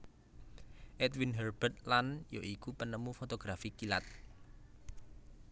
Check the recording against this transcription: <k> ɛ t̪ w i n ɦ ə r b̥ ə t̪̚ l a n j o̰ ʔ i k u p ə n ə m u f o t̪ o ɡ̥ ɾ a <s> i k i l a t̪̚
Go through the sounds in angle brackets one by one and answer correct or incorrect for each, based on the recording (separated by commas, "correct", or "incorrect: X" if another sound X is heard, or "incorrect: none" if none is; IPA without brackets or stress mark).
incorrect: ʔ, incorrect: f